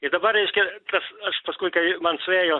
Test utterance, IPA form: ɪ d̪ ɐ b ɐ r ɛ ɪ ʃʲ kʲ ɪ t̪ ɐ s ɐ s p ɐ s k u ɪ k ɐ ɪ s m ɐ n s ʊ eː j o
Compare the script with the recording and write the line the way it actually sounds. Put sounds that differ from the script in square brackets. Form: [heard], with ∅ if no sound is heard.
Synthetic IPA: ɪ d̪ ɐ b ɐ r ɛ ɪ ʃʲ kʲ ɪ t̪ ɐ s ɐ [ʃ] p ɐ s k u ɪ k ɐ ɪ [∅] m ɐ n s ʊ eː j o